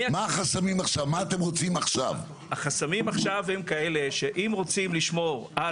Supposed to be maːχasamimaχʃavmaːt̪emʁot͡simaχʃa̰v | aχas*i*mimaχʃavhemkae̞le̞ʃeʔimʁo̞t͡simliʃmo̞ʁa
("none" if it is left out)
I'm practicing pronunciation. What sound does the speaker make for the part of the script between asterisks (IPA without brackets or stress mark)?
a